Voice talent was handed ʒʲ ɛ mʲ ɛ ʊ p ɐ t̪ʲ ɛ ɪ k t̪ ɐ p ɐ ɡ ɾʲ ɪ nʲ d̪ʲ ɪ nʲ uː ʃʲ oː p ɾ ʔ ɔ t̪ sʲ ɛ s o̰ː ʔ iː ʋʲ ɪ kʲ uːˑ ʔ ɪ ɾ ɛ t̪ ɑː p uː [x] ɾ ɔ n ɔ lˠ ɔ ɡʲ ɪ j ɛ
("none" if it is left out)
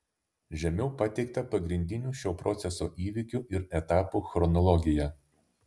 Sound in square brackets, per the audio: x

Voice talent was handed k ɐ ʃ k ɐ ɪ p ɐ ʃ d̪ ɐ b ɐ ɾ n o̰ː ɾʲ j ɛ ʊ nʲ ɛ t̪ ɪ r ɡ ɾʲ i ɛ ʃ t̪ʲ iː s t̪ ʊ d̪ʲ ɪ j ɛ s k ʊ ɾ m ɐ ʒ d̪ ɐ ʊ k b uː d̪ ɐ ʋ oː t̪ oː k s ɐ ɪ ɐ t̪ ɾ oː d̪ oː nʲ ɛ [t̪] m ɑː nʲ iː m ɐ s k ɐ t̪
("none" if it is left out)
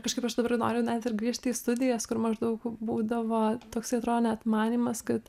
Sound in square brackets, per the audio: t̪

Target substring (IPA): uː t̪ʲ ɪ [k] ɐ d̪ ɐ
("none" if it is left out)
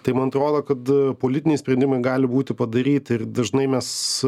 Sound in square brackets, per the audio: p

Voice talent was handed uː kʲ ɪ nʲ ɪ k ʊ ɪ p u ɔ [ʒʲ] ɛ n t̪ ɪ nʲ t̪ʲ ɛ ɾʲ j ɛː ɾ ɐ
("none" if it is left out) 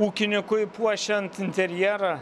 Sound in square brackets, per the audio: ʃʲ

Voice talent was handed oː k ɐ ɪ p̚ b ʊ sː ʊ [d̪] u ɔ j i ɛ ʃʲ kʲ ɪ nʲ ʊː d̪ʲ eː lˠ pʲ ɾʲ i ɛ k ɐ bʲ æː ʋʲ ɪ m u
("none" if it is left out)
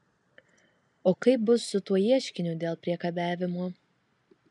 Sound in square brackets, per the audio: t̪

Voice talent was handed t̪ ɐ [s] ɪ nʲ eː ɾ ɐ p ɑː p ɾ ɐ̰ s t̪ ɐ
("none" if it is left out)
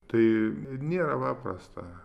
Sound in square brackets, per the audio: none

